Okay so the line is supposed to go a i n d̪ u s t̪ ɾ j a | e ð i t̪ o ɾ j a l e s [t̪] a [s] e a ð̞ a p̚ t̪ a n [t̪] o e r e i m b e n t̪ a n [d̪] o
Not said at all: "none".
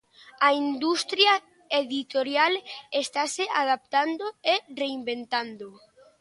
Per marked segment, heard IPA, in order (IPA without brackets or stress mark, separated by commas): t̪, s, d̪, d̪